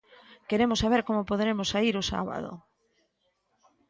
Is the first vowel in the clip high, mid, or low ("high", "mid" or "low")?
mid